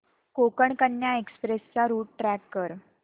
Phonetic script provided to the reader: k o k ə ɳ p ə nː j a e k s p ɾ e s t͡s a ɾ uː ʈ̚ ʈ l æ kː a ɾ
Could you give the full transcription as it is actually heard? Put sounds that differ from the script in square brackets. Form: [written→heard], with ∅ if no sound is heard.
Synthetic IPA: k o k ə ɳ [p→k] ə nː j a e k s p ɾ e s t͡s a ɾ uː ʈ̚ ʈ [l→ɾ] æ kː [a→ə] ɾ